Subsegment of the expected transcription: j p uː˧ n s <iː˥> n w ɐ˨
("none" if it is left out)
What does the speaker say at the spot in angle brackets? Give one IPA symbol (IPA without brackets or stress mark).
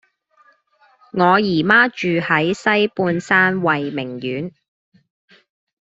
aː˥